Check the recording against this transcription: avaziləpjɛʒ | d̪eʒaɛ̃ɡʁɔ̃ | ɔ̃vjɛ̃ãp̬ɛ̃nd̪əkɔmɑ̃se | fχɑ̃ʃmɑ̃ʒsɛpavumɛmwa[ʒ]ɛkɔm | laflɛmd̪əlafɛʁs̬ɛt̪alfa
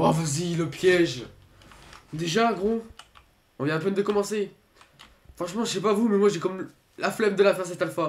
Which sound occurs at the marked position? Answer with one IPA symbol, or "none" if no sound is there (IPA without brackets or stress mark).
ʒ